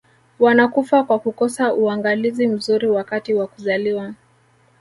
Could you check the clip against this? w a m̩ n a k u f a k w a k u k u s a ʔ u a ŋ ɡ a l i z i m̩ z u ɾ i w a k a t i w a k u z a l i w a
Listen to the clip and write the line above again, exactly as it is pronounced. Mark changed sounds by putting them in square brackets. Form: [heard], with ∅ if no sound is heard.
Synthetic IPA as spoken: w a [∅] n a k u f a k w a k u k [ɔ] s a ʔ u a ŋ ɡ a l i z i m̩ z u ɾ i w a k a t i w a k u z a l i w a